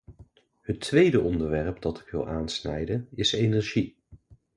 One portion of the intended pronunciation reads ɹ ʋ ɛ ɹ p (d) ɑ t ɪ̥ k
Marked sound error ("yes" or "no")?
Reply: no